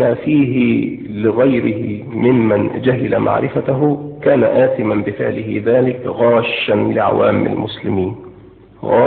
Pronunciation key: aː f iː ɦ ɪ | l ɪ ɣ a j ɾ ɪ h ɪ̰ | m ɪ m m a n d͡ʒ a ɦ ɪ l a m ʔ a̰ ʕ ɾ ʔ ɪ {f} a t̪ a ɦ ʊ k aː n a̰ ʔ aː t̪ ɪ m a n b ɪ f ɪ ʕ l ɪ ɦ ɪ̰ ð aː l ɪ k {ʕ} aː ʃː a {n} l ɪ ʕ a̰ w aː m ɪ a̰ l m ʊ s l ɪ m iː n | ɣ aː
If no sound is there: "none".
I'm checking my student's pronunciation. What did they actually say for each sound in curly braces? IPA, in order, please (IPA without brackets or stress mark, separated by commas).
f, ɣ, n